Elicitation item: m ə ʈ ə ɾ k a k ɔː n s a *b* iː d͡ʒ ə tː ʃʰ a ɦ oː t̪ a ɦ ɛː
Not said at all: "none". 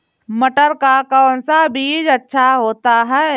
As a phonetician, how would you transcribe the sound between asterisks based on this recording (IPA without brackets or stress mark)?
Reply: b